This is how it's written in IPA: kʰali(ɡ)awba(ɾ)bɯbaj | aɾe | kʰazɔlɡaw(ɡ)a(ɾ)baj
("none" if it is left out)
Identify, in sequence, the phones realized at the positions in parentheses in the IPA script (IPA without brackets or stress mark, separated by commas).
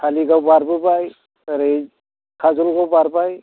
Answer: ɡ, ɾ, b, ɾ